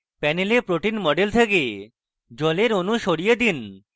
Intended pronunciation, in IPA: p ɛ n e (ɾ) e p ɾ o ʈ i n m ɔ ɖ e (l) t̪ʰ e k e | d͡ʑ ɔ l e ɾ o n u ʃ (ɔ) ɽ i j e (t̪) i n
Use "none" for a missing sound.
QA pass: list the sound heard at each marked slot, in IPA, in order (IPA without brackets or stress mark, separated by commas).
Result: l, l, o, d̪